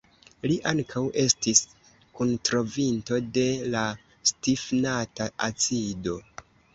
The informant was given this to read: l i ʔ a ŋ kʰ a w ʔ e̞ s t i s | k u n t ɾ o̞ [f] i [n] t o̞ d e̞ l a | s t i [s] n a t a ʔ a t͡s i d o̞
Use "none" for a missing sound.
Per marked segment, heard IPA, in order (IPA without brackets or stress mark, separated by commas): v, n, f